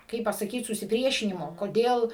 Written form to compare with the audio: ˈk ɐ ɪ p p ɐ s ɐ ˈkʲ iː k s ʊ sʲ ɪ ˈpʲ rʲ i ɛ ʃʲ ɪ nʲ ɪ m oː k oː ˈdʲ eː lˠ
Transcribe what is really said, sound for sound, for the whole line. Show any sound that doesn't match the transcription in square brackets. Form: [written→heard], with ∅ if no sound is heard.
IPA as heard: ˈk ɐ ɪ p p ɐ s ɐ ˈkʲ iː [k→t] s ʊ sʲ ɪ ˈpʲ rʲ i ɛ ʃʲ ɪ nʲ ɪ m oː k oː ˈdʲ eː lˠ